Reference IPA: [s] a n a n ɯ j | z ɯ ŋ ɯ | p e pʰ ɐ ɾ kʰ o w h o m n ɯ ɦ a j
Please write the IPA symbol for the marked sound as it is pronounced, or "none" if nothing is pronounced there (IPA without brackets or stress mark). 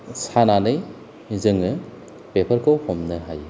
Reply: s